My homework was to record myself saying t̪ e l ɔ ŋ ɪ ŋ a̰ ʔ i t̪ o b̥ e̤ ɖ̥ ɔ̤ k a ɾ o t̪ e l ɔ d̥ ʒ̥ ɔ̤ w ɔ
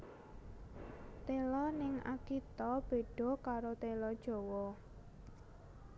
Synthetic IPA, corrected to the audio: t̪ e l ɔ n ɪ ŋ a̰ k i t̪ ɔ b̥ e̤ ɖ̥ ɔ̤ k a ɾ o t̪ e l ɔ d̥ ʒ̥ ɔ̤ w ɔ